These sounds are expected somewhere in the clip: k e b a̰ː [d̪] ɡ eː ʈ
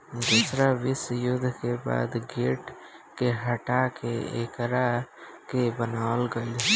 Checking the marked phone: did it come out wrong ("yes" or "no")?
no